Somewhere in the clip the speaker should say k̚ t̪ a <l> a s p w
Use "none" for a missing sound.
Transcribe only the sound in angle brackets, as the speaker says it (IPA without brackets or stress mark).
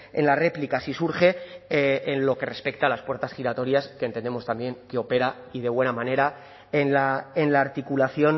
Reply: l